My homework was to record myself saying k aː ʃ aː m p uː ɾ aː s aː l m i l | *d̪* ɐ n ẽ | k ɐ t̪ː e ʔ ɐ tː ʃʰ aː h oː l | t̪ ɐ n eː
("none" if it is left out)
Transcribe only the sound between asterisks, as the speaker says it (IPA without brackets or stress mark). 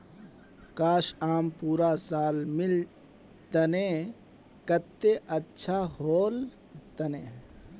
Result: t̪